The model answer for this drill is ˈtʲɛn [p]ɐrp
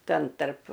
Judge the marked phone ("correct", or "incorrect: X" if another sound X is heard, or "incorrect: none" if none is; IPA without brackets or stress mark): incorrect: t